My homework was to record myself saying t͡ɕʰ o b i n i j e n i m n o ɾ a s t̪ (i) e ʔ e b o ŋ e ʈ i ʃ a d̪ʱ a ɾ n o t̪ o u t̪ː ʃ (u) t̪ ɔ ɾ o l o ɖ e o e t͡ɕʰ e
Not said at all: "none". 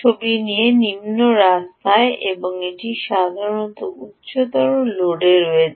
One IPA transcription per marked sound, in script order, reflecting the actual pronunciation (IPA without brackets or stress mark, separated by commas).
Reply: a, o